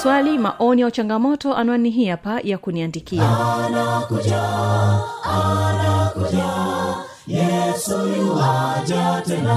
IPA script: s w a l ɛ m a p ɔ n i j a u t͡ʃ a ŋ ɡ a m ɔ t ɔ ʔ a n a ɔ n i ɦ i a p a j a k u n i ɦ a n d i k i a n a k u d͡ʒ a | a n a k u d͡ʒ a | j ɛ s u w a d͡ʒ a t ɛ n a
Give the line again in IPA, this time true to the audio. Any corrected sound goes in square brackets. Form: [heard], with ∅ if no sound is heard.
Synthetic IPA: s w a l [i] m a [ʔ] ɔ n i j a u t͡ʃ a ŋ ɡ a m ɔ t ɔ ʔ a n a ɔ n i ɦ i a p a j a k u n i [∅] a n d i k i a n a k u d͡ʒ a | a n a k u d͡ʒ a | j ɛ s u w a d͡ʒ a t ɛ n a